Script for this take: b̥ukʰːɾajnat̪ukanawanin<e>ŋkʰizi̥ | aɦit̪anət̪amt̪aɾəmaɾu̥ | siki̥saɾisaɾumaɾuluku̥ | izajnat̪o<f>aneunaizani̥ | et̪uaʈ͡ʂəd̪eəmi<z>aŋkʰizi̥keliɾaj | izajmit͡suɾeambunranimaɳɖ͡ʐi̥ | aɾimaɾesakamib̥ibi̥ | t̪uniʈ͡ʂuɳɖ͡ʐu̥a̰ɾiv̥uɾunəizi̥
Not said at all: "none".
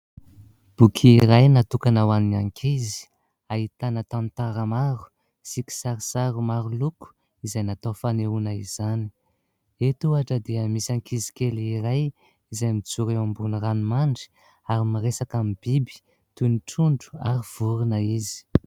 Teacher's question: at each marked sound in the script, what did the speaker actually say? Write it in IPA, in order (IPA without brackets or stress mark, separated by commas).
a, f, s